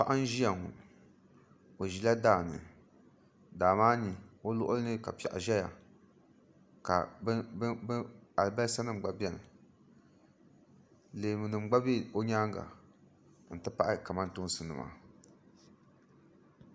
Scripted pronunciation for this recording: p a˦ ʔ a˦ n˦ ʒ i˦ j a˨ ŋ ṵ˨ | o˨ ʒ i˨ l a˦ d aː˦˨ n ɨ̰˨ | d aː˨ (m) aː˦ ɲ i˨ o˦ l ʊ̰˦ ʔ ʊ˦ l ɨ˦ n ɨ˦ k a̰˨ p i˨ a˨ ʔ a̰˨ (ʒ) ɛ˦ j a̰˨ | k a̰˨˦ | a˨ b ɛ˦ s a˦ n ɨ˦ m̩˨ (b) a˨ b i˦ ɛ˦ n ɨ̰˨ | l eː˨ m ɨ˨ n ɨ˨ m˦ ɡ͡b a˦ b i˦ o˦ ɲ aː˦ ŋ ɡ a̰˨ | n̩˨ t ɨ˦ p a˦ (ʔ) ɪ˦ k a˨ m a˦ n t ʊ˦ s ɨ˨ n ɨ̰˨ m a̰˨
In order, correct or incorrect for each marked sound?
correct, correct, incorrect: ɡ͡b, correct

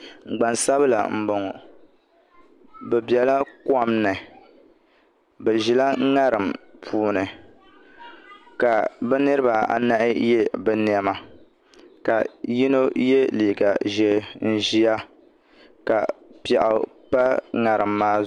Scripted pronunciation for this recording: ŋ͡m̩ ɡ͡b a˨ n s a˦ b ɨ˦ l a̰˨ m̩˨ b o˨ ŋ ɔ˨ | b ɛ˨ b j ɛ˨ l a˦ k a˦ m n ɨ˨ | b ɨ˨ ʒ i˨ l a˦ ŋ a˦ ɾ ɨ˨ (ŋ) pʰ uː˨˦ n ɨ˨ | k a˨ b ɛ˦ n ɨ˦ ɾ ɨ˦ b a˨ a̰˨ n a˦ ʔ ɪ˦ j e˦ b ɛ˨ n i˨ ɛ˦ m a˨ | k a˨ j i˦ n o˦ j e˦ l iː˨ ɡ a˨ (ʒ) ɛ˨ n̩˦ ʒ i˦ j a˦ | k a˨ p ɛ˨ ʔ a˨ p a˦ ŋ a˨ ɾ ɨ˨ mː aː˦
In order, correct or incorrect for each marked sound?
incorrect: m, correct

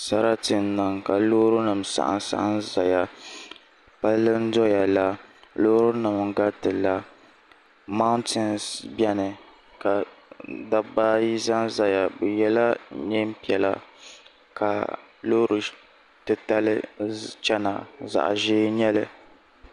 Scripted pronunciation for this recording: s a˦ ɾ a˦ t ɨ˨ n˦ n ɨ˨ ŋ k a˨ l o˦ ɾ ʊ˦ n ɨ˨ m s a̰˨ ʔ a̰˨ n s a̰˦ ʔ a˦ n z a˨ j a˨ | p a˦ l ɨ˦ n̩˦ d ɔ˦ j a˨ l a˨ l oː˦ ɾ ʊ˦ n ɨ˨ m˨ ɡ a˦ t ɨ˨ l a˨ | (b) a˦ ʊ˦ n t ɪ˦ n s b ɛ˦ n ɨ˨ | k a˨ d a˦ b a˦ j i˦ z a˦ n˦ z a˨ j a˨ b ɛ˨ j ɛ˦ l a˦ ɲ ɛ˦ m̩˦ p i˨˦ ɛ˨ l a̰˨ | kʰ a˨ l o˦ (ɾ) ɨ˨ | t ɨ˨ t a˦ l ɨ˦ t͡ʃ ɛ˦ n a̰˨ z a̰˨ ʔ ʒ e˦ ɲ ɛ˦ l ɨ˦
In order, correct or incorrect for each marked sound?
incorrect: m, correct

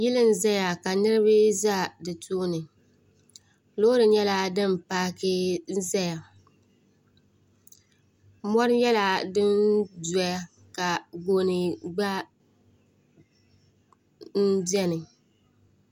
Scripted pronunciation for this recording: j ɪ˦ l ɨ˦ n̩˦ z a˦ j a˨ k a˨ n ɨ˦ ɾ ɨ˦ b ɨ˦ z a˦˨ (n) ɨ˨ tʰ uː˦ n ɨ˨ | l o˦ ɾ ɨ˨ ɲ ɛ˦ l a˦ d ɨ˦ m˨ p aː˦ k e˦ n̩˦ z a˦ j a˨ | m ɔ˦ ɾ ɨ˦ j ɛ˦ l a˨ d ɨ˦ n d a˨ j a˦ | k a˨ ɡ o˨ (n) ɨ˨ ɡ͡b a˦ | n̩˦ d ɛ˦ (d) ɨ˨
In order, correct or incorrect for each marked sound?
incorrect: d, correct, incorrect: n

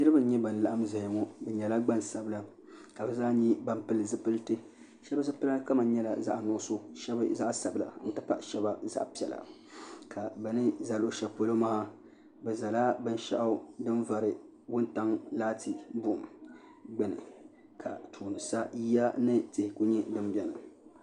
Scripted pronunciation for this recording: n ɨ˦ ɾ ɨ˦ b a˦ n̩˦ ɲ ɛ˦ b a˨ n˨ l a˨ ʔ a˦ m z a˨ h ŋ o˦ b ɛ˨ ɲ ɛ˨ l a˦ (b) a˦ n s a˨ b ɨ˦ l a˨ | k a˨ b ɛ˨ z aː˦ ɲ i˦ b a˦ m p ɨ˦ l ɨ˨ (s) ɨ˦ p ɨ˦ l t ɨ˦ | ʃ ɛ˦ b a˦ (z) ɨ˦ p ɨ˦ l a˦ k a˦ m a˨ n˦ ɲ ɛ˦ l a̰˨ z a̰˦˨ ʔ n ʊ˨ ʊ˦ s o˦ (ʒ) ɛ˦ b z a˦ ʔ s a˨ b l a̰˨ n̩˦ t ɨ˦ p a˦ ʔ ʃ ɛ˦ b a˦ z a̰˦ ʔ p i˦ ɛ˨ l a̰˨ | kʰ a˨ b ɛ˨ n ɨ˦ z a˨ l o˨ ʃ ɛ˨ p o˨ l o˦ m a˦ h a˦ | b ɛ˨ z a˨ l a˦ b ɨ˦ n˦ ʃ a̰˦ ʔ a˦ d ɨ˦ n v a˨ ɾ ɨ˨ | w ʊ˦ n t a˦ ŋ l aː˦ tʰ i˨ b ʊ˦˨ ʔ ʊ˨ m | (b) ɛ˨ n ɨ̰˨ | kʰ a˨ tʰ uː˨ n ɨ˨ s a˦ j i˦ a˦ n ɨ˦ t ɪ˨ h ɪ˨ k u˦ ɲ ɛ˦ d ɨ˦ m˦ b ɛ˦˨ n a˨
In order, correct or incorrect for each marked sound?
incorrect: ɡ͡b, incorrect: z, correct, incorrect: ʃ, incorrect: ɡ͡b

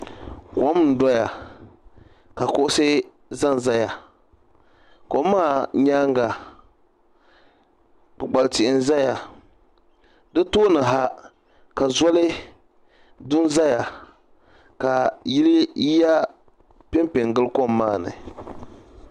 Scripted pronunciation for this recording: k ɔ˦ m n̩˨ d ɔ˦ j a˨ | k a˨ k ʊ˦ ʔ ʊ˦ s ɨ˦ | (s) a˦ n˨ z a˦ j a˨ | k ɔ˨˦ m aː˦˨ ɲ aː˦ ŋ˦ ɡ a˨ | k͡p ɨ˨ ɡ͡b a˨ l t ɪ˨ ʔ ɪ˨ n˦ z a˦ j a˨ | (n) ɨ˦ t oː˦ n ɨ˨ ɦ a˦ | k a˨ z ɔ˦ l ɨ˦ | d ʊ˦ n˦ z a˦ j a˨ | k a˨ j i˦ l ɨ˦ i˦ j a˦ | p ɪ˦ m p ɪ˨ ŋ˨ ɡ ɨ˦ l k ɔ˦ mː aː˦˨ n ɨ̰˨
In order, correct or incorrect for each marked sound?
incorrect: z, incorrect: d

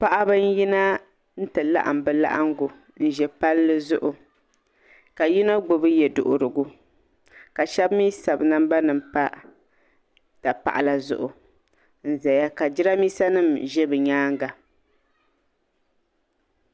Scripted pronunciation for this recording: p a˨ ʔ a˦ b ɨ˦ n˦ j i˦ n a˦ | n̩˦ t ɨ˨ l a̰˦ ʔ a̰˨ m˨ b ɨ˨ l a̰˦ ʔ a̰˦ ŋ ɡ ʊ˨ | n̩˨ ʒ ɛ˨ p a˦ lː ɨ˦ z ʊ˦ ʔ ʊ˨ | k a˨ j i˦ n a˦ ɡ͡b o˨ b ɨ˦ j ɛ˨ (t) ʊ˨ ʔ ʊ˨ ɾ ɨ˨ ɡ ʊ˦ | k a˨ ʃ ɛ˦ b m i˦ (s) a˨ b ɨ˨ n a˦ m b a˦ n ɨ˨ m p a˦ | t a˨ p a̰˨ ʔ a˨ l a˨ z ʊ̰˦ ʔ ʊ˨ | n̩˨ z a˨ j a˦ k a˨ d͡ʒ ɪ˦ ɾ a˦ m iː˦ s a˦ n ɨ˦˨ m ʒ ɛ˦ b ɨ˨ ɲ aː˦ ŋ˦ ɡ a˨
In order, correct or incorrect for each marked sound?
incorrect: d, correct

